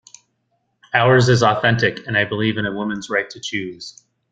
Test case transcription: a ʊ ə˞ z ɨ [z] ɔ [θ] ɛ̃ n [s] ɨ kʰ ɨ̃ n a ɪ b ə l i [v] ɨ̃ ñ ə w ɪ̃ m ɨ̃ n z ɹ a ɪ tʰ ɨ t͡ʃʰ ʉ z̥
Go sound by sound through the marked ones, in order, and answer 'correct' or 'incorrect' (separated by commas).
correct, correct, incorrect, correct